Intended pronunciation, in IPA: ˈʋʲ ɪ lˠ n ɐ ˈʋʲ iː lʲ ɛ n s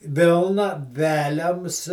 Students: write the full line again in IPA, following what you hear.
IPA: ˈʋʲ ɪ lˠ n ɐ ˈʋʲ æː lʲ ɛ m s